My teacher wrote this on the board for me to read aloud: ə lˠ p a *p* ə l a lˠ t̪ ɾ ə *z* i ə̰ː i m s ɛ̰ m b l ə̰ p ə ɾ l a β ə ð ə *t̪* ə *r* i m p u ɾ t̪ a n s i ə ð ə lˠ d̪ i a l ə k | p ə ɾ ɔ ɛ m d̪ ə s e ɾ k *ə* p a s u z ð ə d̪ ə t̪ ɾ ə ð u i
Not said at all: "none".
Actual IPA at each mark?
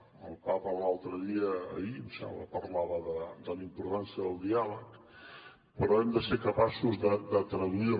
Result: p, ð, d̪, l, ə

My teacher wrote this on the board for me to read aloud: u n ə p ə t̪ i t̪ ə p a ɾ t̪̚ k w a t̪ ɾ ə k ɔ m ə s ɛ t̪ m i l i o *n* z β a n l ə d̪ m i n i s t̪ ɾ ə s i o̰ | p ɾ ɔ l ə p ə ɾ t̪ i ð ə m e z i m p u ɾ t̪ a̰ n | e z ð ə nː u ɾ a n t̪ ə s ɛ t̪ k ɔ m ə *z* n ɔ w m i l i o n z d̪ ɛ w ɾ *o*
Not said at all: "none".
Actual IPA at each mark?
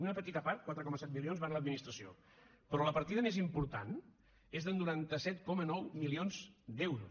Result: n, none, u

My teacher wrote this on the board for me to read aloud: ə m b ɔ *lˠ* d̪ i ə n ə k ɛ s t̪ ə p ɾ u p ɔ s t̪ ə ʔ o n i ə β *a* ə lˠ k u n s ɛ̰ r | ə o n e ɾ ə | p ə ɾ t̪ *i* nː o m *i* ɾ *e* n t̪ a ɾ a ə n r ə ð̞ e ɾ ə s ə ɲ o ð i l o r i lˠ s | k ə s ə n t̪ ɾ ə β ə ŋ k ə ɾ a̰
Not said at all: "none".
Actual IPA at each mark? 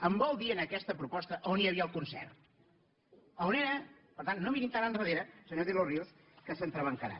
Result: lˠ, i, a, i, i

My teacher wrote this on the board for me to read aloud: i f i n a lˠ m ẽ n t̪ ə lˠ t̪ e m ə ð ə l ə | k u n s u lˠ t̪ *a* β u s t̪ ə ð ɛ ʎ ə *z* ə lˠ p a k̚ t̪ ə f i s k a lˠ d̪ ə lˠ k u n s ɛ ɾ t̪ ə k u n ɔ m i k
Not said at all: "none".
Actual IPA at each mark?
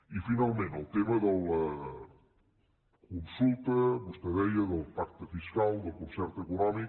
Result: ə, ð

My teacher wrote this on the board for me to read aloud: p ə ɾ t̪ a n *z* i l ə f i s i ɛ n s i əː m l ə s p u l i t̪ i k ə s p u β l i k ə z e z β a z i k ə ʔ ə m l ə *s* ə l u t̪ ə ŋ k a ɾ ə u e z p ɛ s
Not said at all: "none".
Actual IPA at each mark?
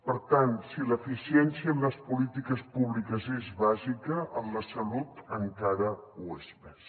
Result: s, s

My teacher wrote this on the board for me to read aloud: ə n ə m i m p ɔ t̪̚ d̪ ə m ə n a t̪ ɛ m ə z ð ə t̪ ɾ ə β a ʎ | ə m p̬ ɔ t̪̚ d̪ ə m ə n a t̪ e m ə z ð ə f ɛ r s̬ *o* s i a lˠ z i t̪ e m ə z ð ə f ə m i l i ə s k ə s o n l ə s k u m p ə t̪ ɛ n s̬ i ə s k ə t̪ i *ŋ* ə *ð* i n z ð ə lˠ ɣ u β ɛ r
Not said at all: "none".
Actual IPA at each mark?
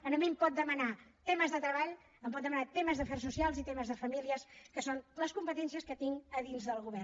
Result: u, ŋ, ð

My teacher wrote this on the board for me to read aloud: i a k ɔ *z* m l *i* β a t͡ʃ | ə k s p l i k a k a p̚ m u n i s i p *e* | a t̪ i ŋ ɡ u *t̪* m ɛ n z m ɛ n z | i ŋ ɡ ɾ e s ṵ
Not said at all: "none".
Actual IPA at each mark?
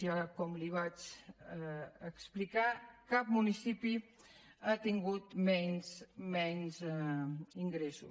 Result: none, i, i, t̪

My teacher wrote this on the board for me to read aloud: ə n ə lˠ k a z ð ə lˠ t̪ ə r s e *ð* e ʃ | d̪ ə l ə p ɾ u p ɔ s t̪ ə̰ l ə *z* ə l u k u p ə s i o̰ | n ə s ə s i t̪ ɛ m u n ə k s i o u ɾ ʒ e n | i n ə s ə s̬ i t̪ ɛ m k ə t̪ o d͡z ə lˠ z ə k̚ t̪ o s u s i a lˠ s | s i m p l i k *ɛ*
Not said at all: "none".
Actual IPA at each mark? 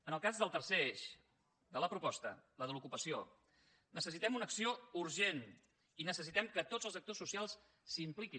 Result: none, ð, i

